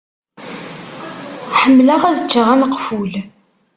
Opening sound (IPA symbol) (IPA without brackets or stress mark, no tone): ħ